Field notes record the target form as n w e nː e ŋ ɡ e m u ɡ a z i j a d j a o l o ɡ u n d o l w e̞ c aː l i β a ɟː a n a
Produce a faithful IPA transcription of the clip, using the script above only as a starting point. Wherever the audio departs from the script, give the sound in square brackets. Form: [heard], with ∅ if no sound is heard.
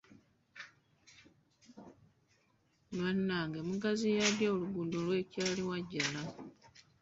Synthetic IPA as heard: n w [a] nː [a] ŋ ɡ e m u ɡ a z i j a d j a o l [u] ɡ u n d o l w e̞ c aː l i [w] a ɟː a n a